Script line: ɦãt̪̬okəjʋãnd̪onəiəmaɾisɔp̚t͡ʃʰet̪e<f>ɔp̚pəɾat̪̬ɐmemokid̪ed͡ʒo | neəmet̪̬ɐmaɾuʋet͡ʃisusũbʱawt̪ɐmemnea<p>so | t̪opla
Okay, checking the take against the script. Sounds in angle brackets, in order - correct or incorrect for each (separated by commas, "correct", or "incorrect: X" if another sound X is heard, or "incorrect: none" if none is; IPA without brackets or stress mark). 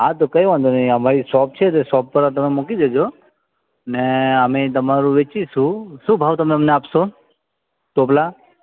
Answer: incorrect: s, correct